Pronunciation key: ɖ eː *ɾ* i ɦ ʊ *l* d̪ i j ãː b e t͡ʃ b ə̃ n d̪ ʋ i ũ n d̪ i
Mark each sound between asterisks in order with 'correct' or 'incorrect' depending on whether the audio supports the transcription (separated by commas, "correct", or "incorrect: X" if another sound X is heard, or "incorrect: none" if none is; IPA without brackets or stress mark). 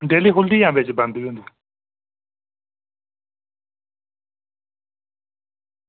incorrect: l, correct